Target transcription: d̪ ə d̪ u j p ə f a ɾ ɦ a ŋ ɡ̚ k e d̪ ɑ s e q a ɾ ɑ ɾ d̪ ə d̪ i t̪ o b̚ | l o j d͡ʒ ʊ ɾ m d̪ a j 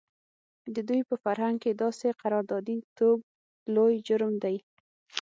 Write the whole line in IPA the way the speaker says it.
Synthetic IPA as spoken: d̪ ə d̪ u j p ə f a ɾ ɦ a ŋ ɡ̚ k e d̪ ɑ s e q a ɾ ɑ ɾ d̪ ɑ d̪ i t̪ o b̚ | l o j d͡ʒ ʊ ɾ m d̪ a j